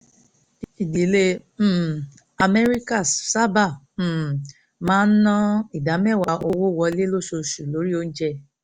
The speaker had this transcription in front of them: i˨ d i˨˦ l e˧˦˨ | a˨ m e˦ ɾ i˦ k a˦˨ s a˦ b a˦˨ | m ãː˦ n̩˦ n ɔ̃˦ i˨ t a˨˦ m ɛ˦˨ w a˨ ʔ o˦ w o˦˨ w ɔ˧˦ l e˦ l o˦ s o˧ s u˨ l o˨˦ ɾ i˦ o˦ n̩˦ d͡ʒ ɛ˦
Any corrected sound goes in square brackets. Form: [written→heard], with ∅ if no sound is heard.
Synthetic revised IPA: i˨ d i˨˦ l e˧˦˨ | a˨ m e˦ ɾ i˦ k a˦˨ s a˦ b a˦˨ | m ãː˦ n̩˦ n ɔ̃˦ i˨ [t→d] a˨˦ m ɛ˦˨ w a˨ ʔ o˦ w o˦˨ w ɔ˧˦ l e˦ l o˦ s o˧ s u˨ l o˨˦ ɾ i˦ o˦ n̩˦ d͡ʒ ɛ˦